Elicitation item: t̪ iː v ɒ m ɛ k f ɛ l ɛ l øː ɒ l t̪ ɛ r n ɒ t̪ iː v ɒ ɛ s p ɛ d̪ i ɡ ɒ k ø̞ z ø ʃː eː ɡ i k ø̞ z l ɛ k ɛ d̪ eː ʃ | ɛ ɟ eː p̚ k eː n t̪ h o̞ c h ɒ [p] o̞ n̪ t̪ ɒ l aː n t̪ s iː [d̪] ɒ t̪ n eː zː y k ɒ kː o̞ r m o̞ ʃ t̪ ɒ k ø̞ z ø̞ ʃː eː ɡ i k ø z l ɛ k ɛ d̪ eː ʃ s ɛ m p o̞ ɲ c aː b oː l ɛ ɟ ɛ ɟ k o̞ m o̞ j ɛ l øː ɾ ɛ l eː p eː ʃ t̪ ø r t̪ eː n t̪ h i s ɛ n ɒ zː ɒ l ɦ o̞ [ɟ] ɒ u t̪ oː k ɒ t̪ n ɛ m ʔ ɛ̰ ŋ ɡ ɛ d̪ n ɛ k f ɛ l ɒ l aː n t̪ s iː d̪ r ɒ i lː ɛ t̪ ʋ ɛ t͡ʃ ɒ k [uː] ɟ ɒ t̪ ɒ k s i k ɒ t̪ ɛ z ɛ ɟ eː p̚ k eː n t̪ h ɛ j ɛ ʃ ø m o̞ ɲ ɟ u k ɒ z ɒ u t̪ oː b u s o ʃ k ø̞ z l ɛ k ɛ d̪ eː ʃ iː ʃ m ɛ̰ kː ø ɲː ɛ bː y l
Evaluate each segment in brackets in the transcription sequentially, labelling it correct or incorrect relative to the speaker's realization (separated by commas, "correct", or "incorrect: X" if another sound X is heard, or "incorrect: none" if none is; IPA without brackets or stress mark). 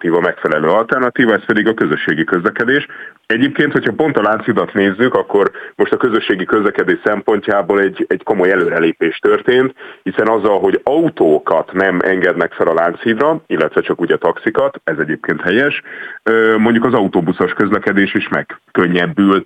correct, correct, correct, correct